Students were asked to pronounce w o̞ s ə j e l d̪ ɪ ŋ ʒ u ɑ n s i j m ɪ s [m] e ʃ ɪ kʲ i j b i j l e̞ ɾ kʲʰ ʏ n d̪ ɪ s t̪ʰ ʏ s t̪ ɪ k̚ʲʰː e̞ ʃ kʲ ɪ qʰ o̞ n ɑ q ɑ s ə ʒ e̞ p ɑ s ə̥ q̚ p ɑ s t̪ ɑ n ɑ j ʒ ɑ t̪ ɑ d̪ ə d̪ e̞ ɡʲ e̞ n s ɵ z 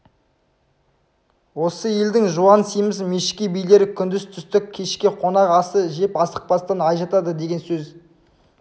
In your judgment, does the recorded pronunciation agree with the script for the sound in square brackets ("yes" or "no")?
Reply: yes